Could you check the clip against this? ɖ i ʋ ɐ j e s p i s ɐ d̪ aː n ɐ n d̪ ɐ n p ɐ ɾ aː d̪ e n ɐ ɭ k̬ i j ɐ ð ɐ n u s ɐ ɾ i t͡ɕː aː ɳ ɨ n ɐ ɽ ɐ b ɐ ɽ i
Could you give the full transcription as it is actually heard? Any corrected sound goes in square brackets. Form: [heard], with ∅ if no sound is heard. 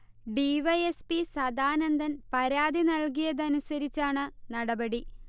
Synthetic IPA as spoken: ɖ i ʋ ɐ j e s p i s ɐ d̪ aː n ɐ n d̪ ɐ n p ɐ ɾ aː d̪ [i] n ɐ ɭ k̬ i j ɐ ð ɐ n u s ɐ ɾ i t͡ɕː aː ɳ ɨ n ɐ ɽ ɐ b ɐ ɽ i